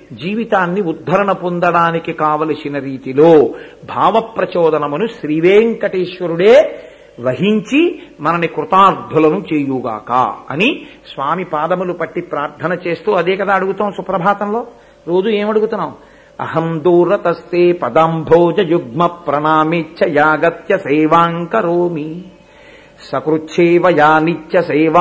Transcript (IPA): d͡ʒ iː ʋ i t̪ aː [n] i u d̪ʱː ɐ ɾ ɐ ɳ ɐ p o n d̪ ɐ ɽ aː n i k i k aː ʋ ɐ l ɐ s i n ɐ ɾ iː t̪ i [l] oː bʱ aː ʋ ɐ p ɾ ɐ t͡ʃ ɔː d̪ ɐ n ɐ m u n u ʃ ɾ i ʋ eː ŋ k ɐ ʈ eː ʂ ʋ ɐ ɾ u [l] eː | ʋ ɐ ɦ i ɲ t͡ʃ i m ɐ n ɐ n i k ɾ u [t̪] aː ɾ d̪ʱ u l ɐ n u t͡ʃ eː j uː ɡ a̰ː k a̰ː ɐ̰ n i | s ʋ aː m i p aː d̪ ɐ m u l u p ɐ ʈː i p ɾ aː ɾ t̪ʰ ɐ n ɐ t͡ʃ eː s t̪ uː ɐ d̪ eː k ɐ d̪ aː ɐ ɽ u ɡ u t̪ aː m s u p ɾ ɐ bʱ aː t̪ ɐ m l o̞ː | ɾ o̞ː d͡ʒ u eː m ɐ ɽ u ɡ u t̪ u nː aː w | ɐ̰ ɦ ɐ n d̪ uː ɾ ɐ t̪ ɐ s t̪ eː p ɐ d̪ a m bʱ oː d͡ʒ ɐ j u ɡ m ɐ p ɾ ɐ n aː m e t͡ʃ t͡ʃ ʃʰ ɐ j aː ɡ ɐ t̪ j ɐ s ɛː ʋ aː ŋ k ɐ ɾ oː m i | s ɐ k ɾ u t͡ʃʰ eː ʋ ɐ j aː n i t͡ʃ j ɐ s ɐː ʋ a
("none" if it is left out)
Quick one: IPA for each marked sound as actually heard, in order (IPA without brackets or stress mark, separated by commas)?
nː, l, ɽ, t̪